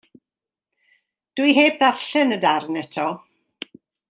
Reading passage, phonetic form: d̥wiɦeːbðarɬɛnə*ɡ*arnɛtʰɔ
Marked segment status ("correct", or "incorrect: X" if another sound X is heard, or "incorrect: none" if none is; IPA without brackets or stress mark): incorrect: d